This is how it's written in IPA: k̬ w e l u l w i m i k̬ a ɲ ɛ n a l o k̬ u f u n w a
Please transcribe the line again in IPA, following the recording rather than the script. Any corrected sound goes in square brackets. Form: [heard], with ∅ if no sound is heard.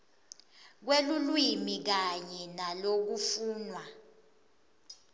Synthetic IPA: k̬ w e l u l w i m i k̬ a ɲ ɛ n a l o k̬ u f [uː] n w a